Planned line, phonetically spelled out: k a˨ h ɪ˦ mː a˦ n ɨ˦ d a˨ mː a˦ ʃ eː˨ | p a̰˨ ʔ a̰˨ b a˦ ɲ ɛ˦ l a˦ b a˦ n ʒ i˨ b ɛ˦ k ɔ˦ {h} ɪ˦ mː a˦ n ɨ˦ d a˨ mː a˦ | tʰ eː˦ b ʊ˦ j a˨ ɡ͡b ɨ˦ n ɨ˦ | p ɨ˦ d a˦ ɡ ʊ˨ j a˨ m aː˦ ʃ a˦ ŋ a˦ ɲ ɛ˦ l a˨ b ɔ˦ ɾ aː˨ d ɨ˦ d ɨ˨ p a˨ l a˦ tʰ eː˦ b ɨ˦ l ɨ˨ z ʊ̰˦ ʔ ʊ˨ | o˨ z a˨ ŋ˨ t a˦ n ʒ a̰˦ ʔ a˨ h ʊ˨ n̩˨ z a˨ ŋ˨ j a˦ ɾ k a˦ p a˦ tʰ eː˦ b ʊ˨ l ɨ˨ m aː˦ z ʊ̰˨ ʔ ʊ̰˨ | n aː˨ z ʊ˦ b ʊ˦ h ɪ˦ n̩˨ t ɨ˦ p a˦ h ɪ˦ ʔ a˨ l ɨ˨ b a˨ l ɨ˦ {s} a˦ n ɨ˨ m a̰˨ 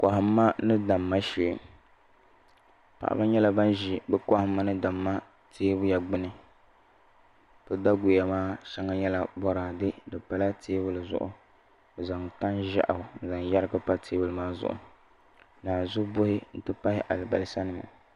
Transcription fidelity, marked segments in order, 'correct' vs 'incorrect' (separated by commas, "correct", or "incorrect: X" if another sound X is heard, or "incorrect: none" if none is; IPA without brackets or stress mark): correct, correct